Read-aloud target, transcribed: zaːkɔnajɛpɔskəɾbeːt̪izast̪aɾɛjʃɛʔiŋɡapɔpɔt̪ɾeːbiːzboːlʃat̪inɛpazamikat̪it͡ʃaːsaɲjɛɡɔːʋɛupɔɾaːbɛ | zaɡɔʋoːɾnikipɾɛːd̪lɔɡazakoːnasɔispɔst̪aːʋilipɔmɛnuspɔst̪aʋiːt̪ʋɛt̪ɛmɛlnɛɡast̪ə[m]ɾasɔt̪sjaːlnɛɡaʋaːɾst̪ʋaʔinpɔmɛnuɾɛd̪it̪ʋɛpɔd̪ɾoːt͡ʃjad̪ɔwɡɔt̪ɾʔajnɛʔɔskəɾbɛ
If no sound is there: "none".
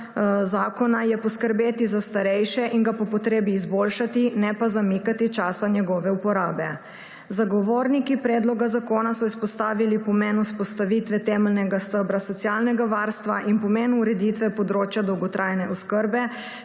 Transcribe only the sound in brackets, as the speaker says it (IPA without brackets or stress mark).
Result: b